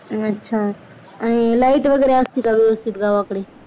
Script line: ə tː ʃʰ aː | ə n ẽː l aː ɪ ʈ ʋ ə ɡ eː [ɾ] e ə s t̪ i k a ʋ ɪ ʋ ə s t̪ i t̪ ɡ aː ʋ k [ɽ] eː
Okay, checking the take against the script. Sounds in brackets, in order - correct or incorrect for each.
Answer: correct, correct

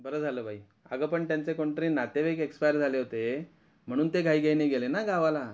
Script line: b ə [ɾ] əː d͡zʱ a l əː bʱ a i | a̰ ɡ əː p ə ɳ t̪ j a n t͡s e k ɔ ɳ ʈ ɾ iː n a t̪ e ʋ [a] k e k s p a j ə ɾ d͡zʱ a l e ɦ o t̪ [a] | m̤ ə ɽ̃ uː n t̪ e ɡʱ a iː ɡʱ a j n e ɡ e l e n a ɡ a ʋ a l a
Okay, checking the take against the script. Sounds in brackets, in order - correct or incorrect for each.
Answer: correct, incorrect: e, incorrect: e

